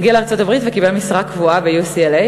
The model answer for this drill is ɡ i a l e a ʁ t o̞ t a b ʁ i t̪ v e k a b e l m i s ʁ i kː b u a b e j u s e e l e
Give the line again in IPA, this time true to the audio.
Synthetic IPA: ɡ i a l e a ʁ t͡s o̞ t a b ʁ i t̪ v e k i b e l m i s ʁ a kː v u a b e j u s i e l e

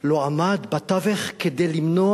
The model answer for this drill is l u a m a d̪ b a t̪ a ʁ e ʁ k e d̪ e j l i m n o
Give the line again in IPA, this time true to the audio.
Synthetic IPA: l o a m a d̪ b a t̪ a v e χ k e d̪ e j l i m n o

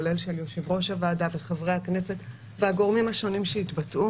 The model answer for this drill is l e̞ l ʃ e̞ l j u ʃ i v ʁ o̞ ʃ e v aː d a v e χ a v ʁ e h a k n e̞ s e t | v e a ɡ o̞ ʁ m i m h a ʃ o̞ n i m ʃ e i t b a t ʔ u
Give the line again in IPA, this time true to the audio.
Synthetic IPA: l e̞ l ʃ e̞ l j o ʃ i v ʁ o̞ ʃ a v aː d a v e χ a v ʁ e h a k n e̞ s e t | v e a ɡ o̞ ʁ m i m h a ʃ o̞ n i m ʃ e i t b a t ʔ u

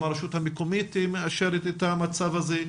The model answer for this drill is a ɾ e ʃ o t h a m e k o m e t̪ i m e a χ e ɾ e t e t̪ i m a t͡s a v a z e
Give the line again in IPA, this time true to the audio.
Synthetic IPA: a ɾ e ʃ u t h a m e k o m i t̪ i m e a ʃ e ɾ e t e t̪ a m a t͡s a v a z e

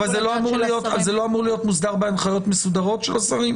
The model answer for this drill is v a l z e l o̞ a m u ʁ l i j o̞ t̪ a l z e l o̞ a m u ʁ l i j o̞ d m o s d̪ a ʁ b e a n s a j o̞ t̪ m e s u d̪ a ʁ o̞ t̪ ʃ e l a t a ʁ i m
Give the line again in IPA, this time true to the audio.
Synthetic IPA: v a l z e l o̞ a m u ʁ l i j o̞ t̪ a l z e l o̞ a m u ʁ l i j o̞ t m u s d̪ a ʁ b e a n χ a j o̞ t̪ m e s u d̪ a ʁ o̞ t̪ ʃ e l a s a ʁ i m

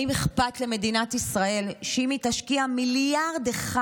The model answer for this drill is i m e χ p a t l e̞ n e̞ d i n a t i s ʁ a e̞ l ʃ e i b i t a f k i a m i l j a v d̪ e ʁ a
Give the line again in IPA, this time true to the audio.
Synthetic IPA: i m e χ p a t l e̞ m e̞ d i n a t i s ʁ a e̞ l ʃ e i m i t a ʃ k i a m i l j a ʁ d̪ e χ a

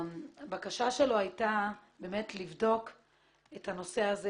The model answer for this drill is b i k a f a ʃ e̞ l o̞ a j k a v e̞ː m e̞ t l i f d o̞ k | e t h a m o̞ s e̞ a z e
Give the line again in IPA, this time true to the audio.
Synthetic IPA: b a k a ʃ a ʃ e̞ l o̞ a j t a b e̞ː m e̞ t l i v d o̞ k | e t h a n o̞ s e̞ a z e

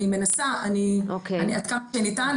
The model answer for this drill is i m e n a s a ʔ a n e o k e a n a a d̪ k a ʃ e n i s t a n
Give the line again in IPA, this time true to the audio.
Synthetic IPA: i m e n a s a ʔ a n i o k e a n i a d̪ k a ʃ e n i t a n

